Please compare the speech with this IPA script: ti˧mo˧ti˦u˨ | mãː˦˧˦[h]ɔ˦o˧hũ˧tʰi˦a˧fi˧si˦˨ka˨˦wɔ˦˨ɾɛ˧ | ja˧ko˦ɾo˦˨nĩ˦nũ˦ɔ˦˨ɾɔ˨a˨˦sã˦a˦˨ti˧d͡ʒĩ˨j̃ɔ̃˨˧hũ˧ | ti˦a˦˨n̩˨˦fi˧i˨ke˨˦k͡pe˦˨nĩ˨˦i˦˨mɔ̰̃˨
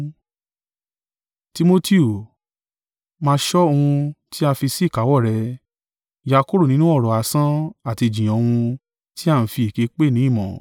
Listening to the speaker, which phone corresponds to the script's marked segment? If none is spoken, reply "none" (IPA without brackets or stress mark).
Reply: ʃ